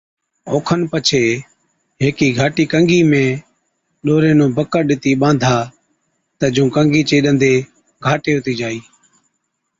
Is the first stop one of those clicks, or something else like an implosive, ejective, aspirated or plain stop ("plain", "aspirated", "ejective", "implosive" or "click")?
aspirated